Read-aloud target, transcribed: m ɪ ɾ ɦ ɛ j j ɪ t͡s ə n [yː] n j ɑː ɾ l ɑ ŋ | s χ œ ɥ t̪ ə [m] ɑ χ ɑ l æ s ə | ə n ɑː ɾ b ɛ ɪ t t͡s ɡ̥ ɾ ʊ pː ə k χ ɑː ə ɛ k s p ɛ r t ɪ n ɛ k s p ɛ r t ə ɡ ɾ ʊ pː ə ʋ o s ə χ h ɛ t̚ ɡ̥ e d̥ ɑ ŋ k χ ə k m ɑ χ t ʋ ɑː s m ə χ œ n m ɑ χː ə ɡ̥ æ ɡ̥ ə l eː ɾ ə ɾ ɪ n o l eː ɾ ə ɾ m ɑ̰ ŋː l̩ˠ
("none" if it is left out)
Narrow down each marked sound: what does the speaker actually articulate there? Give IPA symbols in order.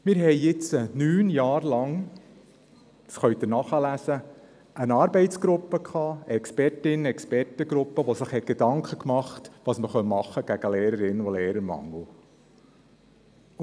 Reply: yː, n

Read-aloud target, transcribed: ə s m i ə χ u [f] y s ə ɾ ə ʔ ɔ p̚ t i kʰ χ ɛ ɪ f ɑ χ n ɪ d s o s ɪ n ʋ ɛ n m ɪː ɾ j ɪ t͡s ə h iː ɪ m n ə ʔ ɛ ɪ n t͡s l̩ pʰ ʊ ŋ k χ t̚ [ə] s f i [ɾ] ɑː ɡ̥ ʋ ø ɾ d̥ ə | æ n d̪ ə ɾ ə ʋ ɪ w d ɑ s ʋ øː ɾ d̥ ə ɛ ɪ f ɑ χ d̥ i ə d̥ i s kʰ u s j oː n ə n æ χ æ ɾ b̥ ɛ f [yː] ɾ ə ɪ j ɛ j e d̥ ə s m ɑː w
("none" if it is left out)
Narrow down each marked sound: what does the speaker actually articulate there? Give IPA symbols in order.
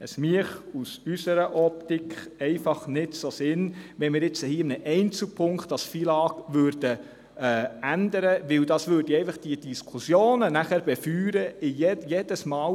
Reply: s, ɑ, l, yː

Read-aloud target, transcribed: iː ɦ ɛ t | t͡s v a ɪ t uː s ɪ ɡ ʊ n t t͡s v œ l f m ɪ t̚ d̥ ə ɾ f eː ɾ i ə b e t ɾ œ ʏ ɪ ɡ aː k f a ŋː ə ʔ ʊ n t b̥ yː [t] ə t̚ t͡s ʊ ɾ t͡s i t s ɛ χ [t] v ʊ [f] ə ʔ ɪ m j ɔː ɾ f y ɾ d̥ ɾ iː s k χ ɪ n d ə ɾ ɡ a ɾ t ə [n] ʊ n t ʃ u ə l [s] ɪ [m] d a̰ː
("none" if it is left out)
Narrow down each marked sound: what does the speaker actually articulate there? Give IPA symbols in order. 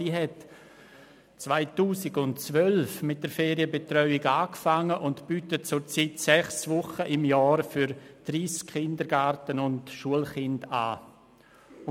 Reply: t, s, χ, n, χ, n

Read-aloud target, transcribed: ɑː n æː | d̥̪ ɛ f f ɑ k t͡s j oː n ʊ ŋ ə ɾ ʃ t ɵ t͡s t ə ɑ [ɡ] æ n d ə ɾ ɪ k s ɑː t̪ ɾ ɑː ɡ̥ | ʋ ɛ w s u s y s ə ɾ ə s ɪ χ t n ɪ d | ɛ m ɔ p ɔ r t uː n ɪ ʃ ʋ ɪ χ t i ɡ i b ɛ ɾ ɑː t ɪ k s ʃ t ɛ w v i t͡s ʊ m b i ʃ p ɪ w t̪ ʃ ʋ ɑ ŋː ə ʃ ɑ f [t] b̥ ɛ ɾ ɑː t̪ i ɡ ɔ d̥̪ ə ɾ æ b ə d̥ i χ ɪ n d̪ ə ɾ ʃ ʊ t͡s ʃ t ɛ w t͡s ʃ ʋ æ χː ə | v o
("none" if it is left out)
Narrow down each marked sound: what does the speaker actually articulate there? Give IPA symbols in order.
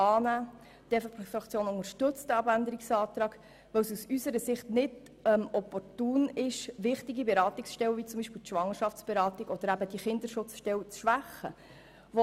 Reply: b, t͡s

